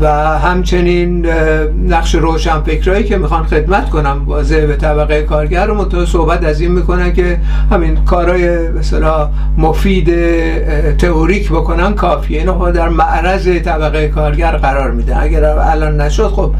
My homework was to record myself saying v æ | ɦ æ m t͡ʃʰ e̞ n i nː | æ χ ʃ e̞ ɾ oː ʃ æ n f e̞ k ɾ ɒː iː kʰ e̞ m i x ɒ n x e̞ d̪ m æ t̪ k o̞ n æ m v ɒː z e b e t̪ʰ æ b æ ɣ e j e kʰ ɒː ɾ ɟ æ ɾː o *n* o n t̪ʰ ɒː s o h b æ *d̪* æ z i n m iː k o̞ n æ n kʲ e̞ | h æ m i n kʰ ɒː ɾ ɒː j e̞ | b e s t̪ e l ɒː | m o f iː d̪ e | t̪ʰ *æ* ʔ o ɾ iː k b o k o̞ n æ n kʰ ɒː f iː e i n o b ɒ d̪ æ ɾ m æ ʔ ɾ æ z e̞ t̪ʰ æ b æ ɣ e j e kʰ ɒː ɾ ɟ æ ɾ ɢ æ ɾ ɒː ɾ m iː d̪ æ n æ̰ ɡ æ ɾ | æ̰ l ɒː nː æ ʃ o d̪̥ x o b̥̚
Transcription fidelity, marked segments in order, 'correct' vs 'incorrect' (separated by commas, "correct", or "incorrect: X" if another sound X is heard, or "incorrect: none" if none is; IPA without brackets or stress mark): incorrect: m, incorrect: t̪, incorrect: e